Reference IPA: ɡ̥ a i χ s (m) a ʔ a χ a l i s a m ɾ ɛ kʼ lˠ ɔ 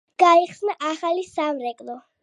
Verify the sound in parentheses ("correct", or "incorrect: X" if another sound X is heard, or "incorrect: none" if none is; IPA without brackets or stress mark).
incorrect: n